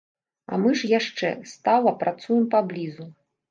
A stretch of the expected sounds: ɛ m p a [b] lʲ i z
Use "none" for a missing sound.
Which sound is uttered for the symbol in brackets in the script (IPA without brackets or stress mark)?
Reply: b